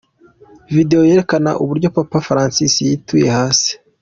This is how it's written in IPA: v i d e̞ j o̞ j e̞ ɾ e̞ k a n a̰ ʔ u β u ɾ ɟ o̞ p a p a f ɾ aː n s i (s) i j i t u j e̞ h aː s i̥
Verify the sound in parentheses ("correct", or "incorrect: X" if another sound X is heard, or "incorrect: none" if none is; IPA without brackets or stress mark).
correct